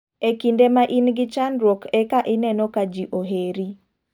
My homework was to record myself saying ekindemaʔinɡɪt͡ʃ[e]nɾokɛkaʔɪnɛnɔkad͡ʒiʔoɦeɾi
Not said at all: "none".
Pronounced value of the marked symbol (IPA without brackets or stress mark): a